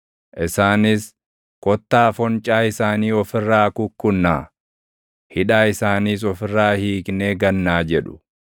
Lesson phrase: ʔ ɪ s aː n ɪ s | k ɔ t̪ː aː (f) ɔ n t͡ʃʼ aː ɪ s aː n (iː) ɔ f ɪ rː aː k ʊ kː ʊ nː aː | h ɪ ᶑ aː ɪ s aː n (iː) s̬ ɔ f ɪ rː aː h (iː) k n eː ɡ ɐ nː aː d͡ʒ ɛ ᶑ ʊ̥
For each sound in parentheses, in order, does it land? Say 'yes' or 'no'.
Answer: yes, yes, yes, yes

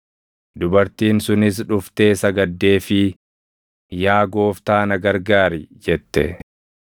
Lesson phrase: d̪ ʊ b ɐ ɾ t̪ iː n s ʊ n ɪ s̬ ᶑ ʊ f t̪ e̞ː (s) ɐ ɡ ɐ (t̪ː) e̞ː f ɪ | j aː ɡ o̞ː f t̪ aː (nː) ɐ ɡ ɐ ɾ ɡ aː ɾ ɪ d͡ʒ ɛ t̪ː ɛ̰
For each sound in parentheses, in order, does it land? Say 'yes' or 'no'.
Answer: yes, no, no

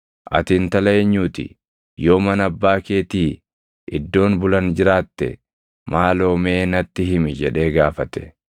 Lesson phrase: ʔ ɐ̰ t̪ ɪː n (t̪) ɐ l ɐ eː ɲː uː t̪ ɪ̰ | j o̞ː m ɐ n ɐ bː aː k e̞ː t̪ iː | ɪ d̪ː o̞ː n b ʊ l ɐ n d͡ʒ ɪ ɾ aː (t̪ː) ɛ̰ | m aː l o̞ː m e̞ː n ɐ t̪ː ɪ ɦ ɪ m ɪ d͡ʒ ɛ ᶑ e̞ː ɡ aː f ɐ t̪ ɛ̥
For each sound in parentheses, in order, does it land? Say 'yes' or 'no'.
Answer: yes, yes

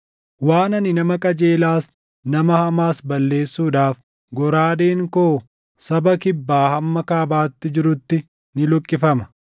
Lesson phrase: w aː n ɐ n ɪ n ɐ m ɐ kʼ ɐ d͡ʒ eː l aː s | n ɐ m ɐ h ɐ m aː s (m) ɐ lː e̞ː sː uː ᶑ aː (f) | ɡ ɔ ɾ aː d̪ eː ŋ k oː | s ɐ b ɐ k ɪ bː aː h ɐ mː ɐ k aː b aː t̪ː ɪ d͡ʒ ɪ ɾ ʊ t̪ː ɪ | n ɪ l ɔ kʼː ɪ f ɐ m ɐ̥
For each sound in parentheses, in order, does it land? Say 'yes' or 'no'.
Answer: no, yes

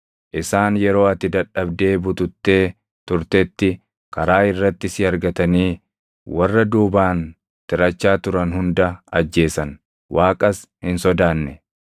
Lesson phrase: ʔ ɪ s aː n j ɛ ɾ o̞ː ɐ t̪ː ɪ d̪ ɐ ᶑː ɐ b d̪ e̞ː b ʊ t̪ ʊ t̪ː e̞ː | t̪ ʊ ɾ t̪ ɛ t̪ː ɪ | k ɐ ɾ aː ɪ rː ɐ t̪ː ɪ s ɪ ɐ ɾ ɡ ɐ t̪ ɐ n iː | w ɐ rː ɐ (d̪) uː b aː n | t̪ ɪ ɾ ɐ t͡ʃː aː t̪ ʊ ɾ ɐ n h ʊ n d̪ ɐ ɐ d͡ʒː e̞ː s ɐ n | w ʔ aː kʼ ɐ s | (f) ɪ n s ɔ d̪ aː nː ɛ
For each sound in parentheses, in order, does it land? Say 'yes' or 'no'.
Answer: yes, no

